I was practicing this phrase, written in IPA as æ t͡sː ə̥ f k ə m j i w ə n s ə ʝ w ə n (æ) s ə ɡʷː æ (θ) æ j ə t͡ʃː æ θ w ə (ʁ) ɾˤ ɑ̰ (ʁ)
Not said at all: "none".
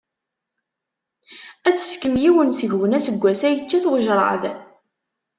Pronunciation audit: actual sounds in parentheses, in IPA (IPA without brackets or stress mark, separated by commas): æ, s, ʒ, ð